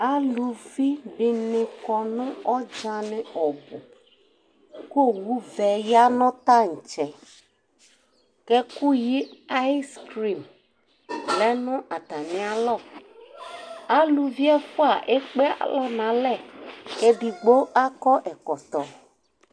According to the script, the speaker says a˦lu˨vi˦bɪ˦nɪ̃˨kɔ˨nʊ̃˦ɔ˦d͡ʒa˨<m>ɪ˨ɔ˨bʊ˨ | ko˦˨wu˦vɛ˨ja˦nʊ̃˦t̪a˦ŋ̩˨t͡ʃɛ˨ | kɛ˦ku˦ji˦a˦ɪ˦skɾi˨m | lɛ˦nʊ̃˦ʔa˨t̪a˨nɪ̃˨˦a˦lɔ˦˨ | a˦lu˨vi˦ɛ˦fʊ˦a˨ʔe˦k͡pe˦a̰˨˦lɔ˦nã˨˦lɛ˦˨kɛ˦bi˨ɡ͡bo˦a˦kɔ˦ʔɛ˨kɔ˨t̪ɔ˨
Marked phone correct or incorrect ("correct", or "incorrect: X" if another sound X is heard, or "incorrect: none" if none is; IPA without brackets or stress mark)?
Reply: incorrect: n